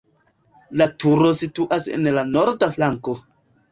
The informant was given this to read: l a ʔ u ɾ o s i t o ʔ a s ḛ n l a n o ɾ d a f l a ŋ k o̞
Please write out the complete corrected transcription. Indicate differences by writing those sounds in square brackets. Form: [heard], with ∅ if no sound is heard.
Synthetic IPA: l a [t] u ɾ o s i t [u] ʔ a s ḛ n l a n o ɾ d a f l a ŋ k o̞